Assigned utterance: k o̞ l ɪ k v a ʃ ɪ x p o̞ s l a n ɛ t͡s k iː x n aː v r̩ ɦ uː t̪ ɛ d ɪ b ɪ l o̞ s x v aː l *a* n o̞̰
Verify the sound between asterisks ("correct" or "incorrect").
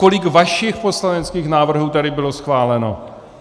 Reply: incorrect